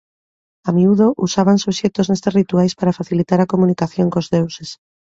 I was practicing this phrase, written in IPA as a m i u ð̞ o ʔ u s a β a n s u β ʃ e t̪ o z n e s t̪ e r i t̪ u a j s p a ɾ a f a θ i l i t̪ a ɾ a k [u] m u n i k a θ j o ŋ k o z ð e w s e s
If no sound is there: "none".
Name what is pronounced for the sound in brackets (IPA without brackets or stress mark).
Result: o